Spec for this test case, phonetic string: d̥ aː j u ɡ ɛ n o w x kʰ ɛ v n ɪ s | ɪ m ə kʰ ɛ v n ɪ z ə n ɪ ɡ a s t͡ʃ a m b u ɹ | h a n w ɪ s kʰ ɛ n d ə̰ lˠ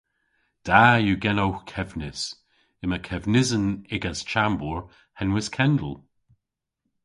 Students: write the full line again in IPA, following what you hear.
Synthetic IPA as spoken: d̥ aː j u ɡ ɛ n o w x kʰ ɛ v n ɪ s | ɪ m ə kʰ ɛ v n ɪ z ə n ɪ ɡ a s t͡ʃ a m b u ɹ | h ɛ n w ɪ s kʰ ɛ n d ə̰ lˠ